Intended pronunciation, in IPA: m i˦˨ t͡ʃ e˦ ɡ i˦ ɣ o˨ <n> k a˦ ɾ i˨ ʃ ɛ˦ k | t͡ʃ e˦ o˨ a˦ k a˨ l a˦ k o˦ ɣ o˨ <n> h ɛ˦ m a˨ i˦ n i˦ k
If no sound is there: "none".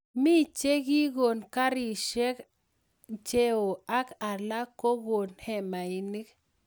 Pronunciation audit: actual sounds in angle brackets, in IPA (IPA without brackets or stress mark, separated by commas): n, n